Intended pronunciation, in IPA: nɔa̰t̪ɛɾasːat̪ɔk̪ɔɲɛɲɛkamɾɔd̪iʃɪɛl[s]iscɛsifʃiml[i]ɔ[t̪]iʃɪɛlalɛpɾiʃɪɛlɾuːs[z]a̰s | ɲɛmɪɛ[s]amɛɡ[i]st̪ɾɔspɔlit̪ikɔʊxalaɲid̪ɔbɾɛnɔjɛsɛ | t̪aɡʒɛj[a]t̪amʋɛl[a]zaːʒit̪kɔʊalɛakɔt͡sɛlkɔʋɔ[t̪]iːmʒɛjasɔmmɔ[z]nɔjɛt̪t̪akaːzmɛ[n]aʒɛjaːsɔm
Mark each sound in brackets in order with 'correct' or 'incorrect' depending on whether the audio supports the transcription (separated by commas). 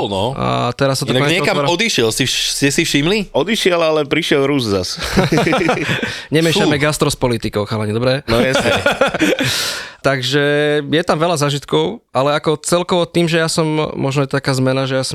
correct, correct, incorrect, correct, incorrect, incorrect, incorrect, correct, correct, incorrect, correct